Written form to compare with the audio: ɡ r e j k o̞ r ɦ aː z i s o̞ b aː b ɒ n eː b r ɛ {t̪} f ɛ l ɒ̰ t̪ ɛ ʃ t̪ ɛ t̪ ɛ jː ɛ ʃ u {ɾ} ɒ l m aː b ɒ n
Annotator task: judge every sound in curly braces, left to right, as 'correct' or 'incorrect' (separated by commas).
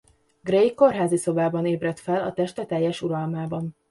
correct, correct